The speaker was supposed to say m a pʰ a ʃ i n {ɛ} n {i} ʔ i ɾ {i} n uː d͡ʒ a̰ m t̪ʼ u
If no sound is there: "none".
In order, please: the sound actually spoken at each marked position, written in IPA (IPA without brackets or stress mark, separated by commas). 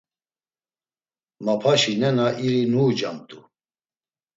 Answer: ɛ, a, i